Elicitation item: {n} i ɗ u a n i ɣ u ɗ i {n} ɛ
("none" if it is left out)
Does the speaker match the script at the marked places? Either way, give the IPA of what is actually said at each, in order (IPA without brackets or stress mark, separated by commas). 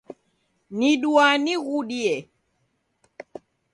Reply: n, none